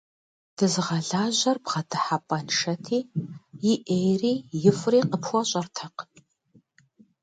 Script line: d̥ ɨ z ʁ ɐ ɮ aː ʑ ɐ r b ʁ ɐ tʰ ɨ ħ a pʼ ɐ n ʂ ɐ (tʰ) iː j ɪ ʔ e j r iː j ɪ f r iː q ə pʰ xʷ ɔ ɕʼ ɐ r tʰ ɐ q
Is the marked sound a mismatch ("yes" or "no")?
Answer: no